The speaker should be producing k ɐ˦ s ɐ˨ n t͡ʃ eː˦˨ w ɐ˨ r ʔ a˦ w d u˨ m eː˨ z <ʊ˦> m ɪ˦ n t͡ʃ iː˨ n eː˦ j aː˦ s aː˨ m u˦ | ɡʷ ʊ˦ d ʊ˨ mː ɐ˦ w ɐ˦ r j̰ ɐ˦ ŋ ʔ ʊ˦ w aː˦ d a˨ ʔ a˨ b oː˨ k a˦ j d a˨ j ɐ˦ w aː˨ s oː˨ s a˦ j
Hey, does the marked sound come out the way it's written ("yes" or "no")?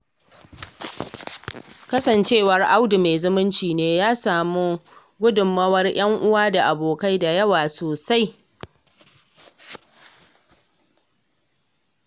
yes